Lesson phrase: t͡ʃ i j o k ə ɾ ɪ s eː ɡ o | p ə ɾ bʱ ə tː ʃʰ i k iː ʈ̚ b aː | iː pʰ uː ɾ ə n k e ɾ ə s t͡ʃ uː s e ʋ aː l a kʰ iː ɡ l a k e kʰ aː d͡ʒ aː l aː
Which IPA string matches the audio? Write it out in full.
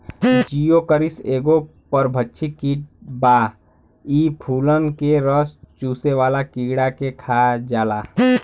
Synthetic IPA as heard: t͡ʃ i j o k ə ɾ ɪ s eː ɡ o | p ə ɾ bʱ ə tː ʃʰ i k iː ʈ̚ b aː | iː pʰ uː l ə n k e ɾ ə s t͡ʃ uː s e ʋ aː l a k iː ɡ ɽ a k e kʰ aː d͡ʒ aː l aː